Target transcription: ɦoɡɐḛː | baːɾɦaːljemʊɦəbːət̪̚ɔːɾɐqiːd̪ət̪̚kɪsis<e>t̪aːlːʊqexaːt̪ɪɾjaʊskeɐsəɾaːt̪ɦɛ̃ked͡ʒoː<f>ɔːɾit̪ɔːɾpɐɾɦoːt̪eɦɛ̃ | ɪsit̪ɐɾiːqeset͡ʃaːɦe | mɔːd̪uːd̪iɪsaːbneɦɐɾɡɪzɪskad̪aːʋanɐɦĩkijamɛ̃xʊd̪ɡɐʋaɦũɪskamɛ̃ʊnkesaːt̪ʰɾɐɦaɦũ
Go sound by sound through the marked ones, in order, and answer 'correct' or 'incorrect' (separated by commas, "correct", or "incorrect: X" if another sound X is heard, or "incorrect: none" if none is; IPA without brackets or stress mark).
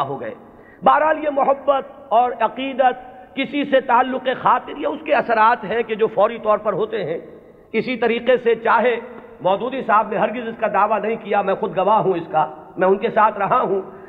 correct, correct